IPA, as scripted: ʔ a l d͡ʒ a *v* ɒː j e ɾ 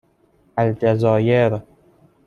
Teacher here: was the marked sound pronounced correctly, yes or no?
no